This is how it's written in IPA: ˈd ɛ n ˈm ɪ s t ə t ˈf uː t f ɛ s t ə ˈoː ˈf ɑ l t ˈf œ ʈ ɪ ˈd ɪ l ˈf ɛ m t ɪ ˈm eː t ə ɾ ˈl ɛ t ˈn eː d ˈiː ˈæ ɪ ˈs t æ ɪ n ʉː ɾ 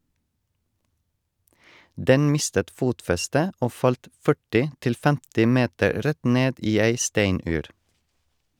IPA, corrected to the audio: ˈd ɛ n ˈm ɪ s t ə t ˈf uː t f ɛ s t ə ˈoː ˈf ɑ l t ˈf œ ʈ ɪ ˈt ɪ l ˈf ɛ m t ɪ ˈm eː t ə ɾ ˈɾ ɛ t ˈn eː d ˈiː ˈæ ɪ ˈs t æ ɪ n ʉː ɾ